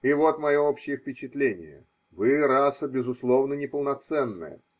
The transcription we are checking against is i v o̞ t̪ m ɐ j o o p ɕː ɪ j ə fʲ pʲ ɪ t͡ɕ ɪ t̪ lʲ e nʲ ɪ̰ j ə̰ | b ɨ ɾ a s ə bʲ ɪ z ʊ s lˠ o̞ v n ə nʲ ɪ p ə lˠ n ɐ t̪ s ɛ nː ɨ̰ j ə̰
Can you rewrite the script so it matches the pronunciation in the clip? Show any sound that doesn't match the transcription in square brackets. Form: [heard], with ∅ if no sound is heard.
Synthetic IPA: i v o̞ t̪ m ɐ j o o p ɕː ɪ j ə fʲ pʲ ɪ t͡ɕ ɪ t̪ lʲ e nʲ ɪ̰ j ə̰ | [v] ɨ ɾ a s ə bʲ ɪ z ʊ s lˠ o̞ v n ə nʲ ɪ p ə lˠ n ɐ t̪ s ɛ nː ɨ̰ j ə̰